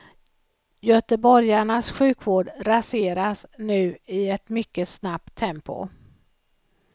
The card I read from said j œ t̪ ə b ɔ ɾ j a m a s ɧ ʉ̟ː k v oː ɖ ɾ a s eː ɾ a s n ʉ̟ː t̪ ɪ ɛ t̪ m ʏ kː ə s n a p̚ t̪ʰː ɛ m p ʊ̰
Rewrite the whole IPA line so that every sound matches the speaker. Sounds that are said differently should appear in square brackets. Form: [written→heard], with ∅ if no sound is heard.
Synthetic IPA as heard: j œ t̪ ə b ɔ ɾ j a [m→ɳ] a s ɧ ʉ̟ː k v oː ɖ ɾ a s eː ɾ a s n ʉ̟ː [t̪→∅] ɪ ɛ t̪ m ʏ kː ə s n a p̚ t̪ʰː ɛ m p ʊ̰